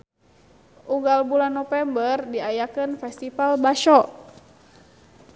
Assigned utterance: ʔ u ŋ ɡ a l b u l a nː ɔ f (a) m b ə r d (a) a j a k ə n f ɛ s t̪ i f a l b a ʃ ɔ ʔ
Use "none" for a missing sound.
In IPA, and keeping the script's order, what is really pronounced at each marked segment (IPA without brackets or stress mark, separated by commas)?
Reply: ɛ, i